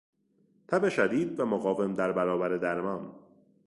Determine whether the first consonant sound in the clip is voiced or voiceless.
voiceless